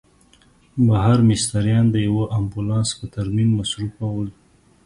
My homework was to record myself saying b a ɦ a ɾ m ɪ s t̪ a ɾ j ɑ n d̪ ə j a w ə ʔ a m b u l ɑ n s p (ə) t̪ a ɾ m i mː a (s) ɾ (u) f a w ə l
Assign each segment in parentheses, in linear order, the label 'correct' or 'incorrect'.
correct, correct, correct

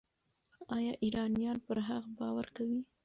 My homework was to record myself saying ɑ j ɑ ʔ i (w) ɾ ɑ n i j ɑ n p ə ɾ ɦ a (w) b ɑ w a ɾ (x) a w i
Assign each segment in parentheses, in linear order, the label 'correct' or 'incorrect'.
incorrect: none, incorrect: ɣ, incorrect: k

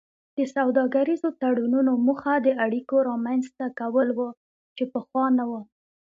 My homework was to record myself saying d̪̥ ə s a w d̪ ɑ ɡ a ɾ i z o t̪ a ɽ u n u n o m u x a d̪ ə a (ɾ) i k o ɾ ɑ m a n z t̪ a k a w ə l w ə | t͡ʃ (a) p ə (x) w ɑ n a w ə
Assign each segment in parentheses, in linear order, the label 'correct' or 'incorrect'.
incorrect: ɽ, incorrect: e, correct

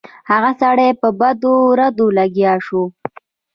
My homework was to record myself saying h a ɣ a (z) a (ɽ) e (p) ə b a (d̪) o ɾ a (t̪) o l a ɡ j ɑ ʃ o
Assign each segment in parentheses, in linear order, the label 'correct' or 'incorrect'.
incorrect: s, correct, correct, correct, incorrect: d̪

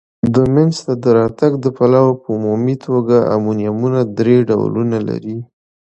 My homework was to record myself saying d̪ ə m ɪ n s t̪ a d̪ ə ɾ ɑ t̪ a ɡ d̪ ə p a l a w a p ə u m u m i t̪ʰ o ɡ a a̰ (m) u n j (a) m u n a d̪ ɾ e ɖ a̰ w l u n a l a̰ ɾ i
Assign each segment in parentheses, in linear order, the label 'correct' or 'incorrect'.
correct, correct

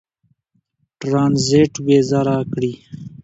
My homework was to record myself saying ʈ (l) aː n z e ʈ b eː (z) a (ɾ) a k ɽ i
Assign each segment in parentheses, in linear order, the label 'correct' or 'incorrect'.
incorrect: ɾ, correct, correct

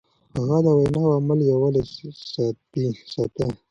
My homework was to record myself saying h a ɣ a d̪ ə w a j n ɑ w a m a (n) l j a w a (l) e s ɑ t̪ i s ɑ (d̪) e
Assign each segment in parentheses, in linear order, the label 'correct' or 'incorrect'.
incorrect: none, correct, incorrect: t̪

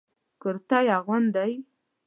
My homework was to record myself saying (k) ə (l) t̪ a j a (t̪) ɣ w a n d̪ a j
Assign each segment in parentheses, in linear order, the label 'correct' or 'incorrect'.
correct, incorrect: ɾ, incorrect: none

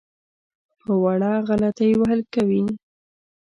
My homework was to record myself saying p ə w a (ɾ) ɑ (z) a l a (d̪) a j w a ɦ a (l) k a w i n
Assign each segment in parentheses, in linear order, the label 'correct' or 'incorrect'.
incorrect: ɽ, incorrect: ɣ, incorrect: t̪, correct

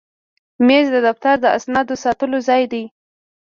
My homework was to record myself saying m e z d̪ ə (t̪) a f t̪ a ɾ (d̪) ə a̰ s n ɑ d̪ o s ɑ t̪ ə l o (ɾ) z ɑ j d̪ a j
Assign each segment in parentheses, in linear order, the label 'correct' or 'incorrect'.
incorrect: d̪, correct, incorrect: none

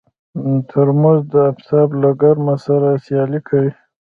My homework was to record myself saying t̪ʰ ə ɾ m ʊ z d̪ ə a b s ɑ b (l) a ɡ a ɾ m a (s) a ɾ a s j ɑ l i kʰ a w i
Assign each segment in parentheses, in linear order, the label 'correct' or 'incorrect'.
correct, correct

